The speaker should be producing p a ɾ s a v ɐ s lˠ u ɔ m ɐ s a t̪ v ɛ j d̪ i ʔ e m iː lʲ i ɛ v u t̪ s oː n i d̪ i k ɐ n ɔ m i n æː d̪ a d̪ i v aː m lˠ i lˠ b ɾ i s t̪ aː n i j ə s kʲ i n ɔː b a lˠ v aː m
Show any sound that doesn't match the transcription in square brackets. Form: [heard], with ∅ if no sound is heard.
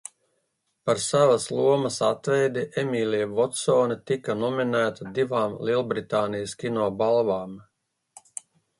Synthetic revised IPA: p a ɾ s a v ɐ s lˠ u ɔ m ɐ s a t̪ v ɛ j d̪ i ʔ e m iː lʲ i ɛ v [ɔ] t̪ s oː n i [t̪] i k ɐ n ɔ m i n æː [t̪] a d̪ i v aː m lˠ i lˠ b ɾ i [∅] t̪ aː n i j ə s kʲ i n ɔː b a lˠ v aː m